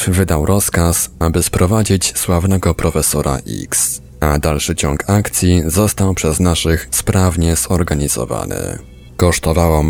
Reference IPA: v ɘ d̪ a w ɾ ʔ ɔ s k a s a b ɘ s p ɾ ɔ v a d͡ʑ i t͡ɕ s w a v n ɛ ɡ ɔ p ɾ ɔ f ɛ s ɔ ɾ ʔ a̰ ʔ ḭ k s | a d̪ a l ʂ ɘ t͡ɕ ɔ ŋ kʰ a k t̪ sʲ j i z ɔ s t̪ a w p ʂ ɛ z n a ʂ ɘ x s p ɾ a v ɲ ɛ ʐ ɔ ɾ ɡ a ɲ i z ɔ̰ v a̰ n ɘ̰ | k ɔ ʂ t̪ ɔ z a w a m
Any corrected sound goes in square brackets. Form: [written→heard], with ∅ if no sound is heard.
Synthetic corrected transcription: v ɘ d̪ a w ɾ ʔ ɔ s k a s a b ɘ s p ɾ ɔ v a d͡ʑ i t͡ɕ s w a v n ɛ ɡ ɔ p ɾ ɔ f ɛ s ɔ ɾ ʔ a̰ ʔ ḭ k s | a d̪ a l ʂ ɘ t͡ɕ ɔ ŋ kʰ a k t̪ sʲ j i z ɔ s t̪ a w p ʂ ɛ z n a ʂ ɘ x s p ɾ a v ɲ ɛ [ʐ→z] ɔ ɾ ɡ a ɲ i z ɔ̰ v a̰ n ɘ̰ | k ɔ ʂ t̪ ɔ [z→v] a w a m